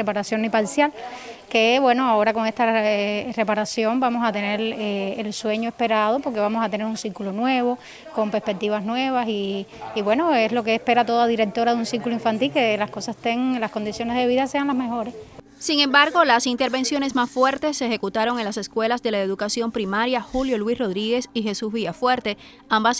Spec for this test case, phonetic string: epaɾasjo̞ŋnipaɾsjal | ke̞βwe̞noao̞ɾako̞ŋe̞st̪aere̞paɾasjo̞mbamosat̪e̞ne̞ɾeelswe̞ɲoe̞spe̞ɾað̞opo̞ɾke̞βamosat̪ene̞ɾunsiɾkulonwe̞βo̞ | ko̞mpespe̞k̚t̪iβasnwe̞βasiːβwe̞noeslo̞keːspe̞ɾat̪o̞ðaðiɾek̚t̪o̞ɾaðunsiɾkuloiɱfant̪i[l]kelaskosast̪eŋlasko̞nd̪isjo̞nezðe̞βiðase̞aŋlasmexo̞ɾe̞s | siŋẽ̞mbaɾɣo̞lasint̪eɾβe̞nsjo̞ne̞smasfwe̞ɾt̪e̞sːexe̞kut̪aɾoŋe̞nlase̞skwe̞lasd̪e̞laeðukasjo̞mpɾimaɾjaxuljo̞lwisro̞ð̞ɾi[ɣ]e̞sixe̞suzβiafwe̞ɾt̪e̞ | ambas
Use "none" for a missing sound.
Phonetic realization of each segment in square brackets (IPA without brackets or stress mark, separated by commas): l, ɣ